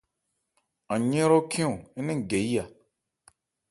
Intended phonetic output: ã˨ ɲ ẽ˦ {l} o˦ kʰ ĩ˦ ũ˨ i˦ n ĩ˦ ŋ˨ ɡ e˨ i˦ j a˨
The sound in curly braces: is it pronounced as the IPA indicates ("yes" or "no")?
no